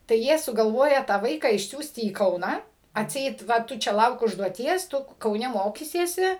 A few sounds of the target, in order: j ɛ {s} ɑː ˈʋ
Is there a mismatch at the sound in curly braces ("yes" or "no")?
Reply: yes